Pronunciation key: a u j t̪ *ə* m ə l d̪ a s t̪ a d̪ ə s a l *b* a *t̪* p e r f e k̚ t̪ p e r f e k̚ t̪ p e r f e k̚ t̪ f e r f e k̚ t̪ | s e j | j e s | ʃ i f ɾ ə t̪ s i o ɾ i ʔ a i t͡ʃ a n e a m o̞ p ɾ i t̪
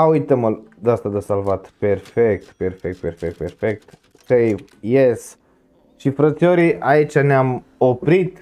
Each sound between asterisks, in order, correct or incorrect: correct, incorrect: v, correct

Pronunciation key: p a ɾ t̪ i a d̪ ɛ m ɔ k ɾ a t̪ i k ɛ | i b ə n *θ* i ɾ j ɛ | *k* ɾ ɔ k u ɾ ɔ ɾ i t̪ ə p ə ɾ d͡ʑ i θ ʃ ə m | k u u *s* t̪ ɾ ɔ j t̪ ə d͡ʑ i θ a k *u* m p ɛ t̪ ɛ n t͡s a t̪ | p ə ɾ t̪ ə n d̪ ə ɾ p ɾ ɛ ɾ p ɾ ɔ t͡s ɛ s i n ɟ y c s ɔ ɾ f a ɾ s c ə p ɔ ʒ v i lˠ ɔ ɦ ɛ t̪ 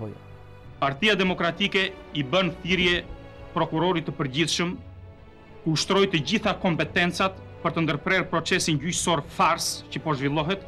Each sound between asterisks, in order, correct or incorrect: correct, incorrect: p, incorrect: ʃ, incorrect: ɔ

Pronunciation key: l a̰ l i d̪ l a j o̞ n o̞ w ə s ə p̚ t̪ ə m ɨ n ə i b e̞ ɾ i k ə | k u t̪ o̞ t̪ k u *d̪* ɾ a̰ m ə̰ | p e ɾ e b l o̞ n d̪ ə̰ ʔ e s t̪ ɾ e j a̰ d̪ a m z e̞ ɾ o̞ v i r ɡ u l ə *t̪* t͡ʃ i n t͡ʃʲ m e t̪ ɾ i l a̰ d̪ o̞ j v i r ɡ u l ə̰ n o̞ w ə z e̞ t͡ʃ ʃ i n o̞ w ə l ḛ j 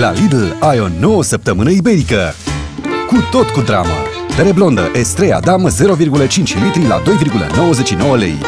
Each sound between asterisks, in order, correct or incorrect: correct, incorrect: none

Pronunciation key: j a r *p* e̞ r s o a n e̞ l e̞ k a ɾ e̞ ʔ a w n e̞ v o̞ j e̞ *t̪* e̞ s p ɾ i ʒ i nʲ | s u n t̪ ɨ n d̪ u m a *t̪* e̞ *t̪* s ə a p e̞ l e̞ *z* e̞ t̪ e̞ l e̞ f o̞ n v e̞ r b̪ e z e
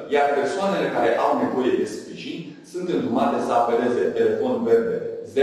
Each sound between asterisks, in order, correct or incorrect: correct, incorrect: d̪, correct, incorrect: none, correct

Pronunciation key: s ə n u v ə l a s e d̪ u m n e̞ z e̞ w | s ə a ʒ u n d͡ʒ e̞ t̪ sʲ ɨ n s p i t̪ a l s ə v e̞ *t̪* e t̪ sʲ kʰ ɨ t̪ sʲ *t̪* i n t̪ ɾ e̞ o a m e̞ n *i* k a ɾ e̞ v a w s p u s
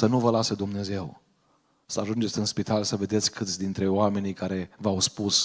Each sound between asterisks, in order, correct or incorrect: incorrect: d̪, incorrect: d̪, correct

